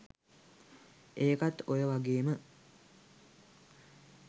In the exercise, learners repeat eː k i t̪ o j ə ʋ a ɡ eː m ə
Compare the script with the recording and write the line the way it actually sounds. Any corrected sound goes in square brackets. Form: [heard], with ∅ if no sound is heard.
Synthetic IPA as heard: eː k [a] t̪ o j ə ʋ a ɡ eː m ə